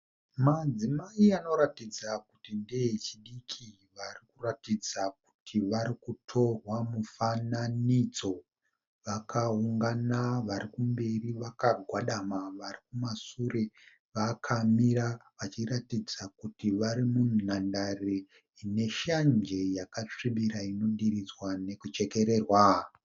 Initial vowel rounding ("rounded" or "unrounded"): unrounded